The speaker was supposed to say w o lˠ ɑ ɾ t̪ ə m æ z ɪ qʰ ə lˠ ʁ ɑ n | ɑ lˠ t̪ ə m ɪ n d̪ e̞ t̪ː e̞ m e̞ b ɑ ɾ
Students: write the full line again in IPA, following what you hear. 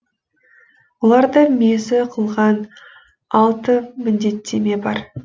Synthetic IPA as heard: w o lˠ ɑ ɾ d̪ ə m e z ɪ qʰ ə lˠ ʁ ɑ n | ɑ lˠ t̪ ə m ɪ n d̪ e̞ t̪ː e̞ m e̞ b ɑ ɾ